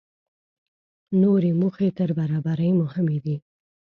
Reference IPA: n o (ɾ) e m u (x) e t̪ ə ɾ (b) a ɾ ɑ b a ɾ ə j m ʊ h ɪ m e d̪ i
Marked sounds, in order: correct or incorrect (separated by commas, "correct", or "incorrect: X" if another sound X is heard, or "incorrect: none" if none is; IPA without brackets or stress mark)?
correct, correct, correct